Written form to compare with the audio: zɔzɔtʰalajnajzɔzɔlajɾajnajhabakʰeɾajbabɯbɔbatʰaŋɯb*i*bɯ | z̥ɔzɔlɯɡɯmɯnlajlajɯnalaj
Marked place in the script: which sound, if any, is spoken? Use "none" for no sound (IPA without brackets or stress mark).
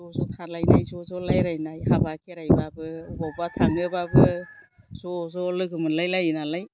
a